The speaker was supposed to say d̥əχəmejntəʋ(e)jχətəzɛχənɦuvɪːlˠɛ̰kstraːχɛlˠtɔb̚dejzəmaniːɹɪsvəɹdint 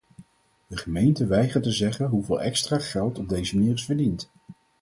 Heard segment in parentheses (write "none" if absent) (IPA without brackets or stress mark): ɛ